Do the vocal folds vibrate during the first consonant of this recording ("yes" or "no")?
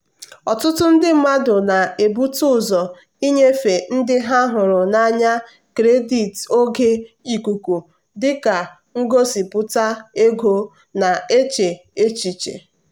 no